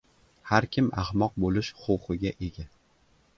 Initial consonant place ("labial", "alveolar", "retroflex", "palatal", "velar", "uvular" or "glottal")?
glottal